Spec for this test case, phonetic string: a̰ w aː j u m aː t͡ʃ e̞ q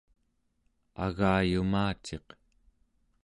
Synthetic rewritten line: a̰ ɣ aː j u m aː t͡ʃ e̞ q